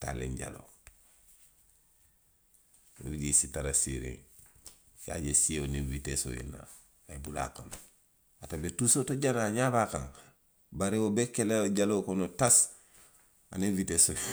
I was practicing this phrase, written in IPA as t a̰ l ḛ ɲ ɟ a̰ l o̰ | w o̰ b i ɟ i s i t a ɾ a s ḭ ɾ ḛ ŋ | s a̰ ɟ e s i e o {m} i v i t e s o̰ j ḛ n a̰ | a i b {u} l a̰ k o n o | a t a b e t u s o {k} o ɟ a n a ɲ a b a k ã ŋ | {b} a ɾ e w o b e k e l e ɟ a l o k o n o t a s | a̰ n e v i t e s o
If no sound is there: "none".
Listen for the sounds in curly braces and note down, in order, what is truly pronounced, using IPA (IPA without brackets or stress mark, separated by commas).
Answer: n, u, t, b